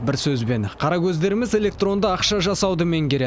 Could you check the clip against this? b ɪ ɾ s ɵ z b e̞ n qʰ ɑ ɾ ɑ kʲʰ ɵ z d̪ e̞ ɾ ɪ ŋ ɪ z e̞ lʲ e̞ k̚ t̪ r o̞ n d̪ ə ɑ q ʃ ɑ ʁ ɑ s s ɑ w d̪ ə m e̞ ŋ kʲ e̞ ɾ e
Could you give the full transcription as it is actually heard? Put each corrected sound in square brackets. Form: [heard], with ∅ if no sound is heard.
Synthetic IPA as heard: b ɪ ɾ s ɵ z b e̞ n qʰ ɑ ɾ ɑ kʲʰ ɵ z d̪ e̞ ɾ ɪ [m] ɪ z e̞ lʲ e̞ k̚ t̪ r o̞ n d̪ ə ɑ q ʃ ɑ [ʒ] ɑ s s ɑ w d̪ ə m e̞ ŋ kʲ e̞ ɾ e